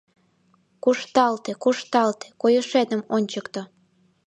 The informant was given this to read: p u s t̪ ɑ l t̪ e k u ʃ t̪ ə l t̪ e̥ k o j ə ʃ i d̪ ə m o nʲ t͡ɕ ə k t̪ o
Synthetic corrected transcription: k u ʃ t̪ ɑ l t̪ e k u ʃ t̪ ɑ l t̪ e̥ k o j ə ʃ e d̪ ə m o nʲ t͡ɕ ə k t̪ o